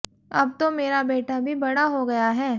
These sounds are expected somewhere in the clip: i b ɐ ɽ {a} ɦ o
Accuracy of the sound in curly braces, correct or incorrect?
correct